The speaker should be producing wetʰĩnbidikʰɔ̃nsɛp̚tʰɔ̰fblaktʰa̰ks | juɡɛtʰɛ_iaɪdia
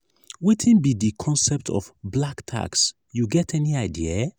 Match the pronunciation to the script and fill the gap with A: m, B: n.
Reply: B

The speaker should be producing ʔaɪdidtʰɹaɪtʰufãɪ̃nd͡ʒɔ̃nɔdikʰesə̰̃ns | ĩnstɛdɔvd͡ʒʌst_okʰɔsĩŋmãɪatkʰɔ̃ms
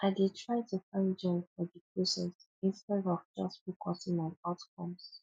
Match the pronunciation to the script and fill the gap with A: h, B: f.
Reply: B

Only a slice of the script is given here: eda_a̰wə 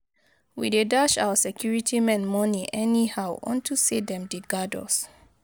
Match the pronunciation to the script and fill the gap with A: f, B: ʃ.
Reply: B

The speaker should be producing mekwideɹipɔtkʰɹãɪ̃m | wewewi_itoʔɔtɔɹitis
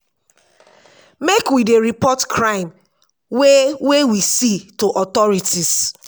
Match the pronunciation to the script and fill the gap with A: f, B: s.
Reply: B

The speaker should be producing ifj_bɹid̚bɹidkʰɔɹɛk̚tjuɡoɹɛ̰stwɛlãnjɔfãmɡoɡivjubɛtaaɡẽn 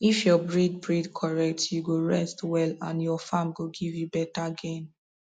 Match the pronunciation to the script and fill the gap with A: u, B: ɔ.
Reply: B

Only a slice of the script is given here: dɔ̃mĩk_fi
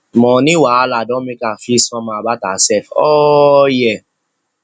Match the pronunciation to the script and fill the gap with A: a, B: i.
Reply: A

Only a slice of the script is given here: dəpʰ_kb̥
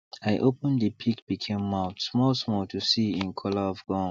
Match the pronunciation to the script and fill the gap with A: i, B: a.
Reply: A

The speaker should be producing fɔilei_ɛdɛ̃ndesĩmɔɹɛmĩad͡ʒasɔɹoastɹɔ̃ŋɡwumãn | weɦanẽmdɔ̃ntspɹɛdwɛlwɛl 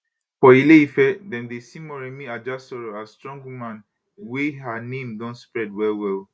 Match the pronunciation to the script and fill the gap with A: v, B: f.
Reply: B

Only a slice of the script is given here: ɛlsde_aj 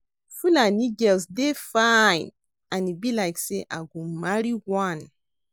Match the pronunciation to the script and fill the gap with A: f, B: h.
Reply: A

